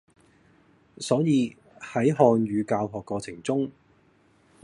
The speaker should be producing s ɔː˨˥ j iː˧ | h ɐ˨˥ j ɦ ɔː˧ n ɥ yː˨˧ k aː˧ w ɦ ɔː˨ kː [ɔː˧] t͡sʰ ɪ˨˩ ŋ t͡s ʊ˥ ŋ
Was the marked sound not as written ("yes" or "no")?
no